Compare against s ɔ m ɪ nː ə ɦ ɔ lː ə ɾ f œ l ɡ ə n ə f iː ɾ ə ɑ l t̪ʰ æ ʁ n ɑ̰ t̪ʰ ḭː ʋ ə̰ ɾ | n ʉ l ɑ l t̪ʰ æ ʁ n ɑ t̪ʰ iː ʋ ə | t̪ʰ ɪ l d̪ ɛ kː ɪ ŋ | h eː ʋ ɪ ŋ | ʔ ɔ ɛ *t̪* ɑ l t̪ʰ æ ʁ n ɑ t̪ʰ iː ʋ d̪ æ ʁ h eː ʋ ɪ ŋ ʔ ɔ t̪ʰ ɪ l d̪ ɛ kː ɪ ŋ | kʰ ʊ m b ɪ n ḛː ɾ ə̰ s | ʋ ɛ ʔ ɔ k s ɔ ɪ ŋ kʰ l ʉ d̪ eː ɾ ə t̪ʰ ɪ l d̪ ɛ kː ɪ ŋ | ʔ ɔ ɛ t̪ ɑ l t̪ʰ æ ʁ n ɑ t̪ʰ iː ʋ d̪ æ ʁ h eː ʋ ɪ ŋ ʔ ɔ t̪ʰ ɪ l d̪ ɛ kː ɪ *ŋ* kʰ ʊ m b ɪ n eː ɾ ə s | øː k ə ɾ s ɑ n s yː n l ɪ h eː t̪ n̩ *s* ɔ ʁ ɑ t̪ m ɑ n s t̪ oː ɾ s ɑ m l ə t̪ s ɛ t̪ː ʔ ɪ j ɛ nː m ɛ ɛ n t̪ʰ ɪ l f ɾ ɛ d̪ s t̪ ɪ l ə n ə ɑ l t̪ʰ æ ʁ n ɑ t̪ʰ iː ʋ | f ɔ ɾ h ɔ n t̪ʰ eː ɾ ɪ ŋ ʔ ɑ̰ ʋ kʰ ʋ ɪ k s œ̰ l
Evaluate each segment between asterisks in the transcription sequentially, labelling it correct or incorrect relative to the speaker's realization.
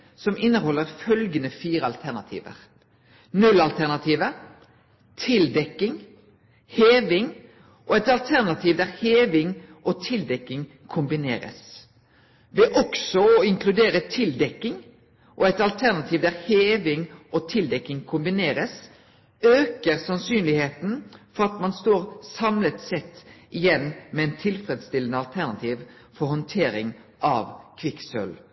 correct, correct, incorrect: f

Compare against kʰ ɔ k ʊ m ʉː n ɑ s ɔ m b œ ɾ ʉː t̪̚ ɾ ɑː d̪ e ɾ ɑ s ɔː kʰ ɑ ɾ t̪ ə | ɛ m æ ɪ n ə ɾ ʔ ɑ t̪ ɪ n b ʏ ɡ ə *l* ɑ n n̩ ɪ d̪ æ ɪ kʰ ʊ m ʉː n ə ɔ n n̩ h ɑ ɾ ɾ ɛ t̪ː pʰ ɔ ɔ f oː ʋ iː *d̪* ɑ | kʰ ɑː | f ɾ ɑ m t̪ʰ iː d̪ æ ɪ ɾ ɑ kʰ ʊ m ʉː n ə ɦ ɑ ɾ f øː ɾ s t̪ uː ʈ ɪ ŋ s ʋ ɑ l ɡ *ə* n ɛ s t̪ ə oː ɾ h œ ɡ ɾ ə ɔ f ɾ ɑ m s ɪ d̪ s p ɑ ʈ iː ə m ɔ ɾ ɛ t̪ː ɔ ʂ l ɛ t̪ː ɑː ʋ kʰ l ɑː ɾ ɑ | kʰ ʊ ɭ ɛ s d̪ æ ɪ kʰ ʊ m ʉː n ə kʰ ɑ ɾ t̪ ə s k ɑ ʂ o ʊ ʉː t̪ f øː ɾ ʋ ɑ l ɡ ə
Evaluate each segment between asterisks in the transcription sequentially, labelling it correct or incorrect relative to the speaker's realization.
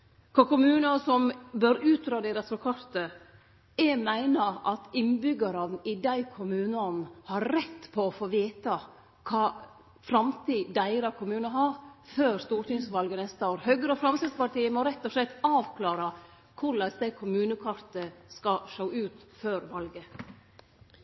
incorrect: ɾ, incorrect: t̪, correct

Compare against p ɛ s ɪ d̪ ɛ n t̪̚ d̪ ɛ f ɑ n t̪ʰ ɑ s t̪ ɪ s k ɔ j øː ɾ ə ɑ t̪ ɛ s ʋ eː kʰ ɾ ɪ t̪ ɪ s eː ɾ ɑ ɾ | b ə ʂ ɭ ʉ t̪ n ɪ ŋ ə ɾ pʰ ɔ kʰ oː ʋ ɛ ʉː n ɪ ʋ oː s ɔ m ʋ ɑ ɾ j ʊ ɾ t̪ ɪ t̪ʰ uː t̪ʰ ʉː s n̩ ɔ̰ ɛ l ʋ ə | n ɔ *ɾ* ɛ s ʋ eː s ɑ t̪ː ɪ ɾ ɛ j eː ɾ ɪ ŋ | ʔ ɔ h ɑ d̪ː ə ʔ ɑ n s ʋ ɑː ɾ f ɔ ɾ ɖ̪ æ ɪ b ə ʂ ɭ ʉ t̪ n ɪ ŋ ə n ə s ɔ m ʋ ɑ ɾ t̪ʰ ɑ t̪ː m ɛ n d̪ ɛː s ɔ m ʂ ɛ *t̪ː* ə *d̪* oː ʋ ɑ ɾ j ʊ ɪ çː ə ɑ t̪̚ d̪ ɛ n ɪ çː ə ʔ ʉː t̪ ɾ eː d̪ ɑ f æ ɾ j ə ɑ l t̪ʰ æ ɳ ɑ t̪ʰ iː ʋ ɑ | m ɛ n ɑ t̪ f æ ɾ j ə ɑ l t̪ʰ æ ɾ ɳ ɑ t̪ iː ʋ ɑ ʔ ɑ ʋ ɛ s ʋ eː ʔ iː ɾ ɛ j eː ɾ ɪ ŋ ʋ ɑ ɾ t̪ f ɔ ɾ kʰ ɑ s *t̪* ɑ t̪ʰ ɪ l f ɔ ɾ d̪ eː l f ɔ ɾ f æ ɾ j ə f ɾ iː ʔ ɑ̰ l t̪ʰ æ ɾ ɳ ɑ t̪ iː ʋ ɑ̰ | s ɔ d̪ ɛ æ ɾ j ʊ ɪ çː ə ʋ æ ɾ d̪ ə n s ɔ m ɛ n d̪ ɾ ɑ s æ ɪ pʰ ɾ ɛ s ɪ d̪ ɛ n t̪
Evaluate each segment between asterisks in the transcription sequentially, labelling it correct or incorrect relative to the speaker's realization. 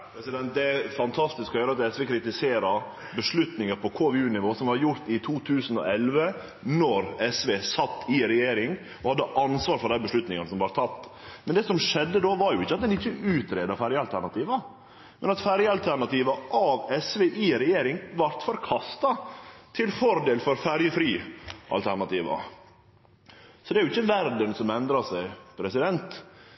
correct, incorrect: d̪ː, correct, correct

